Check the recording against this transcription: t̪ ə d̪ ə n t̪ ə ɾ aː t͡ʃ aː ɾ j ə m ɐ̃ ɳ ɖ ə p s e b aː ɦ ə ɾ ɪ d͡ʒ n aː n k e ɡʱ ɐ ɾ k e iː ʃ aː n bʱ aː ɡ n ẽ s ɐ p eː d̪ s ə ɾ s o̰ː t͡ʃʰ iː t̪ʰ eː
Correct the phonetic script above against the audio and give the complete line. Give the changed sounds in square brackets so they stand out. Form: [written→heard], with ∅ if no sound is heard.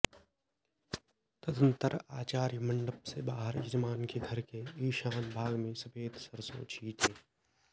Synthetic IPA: t̪ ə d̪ ə n t̪ ə ɾ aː t͡ʃ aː ɾ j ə m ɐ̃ ɳ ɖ ə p s e b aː ɦ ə ɾ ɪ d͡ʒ [n→m] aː n k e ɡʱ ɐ ɾ k e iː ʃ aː n bʱ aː ɡ [n→m] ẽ s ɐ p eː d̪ s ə ɾ s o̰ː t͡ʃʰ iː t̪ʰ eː